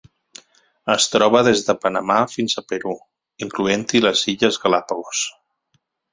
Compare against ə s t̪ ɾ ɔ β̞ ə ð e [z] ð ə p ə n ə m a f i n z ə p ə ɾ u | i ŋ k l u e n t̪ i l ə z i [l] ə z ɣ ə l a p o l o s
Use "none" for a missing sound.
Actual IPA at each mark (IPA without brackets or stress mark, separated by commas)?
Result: z, ʎ